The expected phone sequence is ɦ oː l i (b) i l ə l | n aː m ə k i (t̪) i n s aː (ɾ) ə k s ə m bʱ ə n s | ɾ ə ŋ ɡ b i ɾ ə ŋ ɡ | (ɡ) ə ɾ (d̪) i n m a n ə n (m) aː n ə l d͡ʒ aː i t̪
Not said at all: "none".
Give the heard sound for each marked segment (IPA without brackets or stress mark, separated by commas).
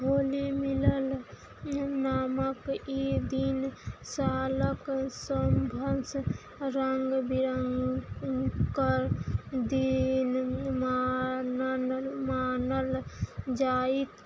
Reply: m, d̪, l, k, d̪, m